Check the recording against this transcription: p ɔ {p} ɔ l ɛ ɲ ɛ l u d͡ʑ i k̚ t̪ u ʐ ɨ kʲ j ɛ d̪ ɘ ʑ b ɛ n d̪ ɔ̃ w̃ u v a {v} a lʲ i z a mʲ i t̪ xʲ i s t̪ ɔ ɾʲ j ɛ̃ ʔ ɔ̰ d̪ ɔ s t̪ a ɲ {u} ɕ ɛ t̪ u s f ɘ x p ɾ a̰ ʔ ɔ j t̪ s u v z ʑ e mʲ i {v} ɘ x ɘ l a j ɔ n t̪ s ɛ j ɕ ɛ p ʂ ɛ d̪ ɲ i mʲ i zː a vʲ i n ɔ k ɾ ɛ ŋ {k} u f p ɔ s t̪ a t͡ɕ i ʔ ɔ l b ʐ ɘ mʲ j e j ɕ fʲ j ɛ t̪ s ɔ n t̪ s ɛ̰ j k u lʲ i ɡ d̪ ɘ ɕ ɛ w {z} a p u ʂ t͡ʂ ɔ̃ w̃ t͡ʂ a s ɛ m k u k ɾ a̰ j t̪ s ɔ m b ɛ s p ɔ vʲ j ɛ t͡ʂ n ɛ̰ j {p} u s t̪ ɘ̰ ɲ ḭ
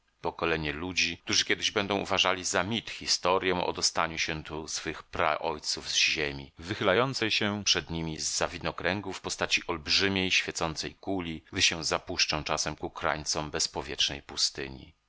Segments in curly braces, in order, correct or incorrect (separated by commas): incorrect, incorrect, correct, correct, incorrect, correct, correct